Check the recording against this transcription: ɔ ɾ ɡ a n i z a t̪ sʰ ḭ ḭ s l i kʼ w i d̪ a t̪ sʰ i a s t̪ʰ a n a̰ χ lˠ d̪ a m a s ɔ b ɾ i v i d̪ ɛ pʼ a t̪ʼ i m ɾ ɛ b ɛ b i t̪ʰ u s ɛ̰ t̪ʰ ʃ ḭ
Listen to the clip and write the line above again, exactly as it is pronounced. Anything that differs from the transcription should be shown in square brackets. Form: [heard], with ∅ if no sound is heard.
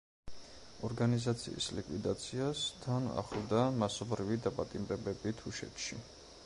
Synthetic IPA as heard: ɔ ɾ ɡ a n i z a t̪ sʰ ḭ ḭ s l i kʼ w i d̪ a t̪ sʰ i a s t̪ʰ a n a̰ χ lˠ d̪ a m a s ɔ b ɾ i v i d̪ [a] pʼ a t̪ʼ i m ɾ ɛ b ɛ b i t̪ʰ u [ʃ] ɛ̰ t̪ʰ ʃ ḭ